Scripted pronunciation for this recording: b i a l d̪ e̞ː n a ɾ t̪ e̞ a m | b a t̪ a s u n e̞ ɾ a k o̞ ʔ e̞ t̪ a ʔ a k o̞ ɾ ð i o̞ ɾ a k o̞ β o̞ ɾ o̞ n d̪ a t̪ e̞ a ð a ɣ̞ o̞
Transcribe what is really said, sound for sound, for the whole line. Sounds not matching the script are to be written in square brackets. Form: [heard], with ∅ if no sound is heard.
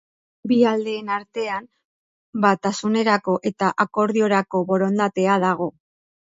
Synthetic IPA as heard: b i a l d̪ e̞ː n a ɾ t̪ e̞ a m | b a t̪ a s u n e̞ ɾ a k o̞ ʔ e̞ t̪ a ʔ a k o̞ ɾ ð i o̞ ɾ a k o̞ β o̞ ɾ o̞ n d̪ a t̪ e̞ a ð a ɣ̞ o̞